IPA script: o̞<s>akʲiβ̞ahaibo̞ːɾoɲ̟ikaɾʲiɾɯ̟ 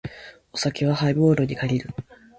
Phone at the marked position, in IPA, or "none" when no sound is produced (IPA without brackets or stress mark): s